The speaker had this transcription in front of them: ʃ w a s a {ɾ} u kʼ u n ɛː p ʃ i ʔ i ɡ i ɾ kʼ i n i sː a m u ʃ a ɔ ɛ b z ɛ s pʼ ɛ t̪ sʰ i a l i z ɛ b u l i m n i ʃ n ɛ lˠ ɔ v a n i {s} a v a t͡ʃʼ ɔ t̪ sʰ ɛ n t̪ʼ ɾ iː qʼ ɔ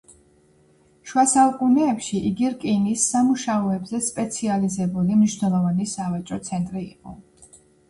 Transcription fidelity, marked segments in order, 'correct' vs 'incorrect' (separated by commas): incorrect, correct